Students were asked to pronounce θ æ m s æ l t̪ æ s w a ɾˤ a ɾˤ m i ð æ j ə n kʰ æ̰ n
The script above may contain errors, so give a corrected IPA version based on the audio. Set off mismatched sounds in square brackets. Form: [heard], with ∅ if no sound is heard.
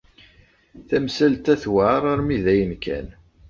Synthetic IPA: θ æ m s æ l t̪ æ [θ] w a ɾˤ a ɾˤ m i ð æ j ə n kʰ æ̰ n